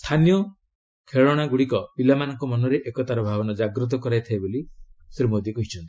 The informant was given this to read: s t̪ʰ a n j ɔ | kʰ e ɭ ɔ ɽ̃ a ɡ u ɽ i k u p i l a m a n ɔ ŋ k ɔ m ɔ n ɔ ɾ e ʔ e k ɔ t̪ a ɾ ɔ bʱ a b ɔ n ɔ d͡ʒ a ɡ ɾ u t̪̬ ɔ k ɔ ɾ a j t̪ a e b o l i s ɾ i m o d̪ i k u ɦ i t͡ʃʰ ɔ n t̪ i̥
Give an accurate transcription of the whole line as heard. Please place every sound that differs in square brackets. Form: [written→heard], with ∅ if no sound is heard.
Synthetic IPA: s t̪ʰ a n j ɔ | kʰ e ɭ ɔ ɽ̃ a ɡ u ɽ i k [u→ɔ] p i l a m a n ɔ ŋ k ɔ m ɔ n ɔ ɾ e ʔ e k ɔ t̪ a ɾ ɔ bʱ a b ɔ n ɔ d͡ʒ a ɡ ɾ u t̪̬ ɔ k ɔ ɾ a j [t̪→t̪ʰ] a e b o l i s ɾ i m o d̪ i k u ɦ i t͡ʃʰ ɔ n t̪ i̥